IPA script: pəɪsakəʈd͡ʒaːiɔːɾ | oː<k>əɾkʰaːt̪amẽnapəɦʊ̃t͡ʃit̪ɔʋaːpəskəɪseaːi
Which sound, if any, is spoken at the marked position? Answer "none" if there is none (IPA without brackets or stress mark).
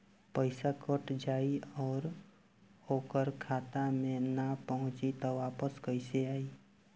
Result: k